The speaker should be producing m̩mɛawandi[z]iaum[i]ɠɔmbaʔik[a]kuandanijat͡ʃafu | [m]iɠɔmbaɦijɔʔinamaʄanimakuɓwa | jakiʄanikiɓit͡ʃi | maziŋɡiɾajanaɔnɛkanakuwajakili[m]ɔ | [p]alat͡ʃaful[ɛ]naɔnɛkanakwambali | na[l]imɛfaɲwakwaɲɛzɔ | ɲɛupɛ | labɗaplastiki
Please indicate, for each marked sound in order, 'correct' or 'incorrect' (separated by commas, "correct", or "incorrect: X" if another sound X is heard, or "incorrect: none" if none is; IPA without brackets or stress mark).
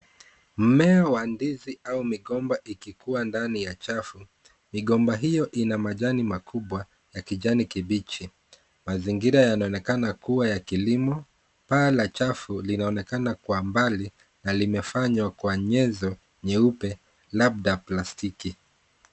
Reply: correct, correct, incorrect: i, correct, correct, correct, incorrect: i, correct